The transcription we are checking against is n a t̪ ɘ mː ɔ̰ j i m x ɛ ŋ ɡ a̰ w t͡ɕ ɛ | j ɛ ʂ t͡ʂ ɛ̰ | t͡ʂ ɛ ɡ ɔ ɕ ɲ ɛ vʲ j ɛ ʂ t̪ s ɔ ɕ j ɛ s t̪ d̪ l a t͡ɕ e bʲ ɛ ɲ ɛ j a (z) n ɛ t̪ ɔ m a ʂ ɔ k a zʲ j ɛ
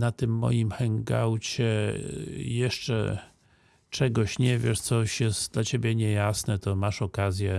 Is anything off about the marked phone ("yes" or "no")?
yes